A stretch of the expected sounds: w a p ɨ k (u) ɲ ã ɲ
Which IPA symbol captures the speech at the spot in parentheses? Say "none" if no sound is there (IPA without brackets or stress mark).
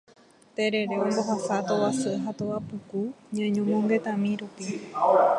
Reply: u